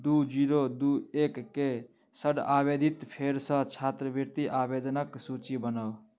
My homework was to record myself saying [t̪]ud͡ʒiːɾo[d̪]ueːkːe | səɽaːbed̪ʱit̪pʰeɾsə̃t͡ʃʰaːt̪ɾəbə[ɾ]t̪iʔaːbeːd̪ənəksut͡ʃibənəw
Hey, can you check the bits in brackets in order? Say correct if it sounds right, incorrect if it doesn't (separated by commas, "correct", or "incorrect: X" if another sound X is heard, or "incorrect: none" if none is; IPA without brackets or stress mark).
incorrect: d̪, correct, correct